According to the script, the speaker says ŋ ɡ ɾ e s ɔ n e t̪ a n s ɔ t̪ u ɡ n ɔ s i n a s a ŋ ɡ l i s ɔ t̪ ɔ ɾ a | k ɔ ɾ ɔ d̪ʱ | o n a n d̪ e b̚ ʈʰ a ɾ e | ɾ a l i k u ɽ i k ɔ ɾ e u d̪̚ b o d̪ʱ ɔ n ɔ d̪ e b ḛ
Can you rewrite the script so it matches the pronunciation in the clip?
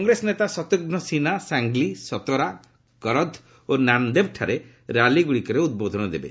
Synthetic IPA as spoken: ŋ ɡ ɾ e s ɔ n e t̪ a s ɔ t̪ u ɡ n ɔ s i n a s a ŋ ɡ l i s ɔ t̪ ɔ ɾ a | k ɔ ɾ ɔ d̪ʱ | o n a n d̪ e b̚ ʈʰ a ɾ e | ɾ a l i ɡ u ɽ i k ɔ ɾ e u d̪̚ b o d̪ʱ ɔ n ɔ d̪ e b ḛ